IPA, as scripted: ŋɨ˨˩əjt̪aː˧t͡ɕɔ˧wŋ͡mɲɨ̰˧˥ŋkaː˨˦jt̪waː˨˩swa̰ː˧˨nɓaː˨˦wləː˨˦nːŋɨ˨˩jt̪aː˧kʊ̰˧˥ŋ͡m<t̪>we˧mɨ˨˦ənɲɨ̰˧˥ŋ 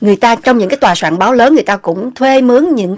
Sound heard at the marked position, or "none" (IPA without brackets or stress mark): t̪ʰ